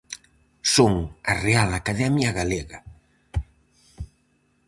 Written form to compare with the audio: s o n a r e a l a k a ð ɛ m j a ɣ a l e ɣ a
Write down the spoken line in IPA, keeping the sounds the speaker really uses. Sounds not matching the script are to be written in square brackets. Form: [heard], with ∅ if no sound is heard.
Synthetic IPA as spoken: s o [ŋ] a r e a l a k a ð ɛ m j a ɣ a l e ɣ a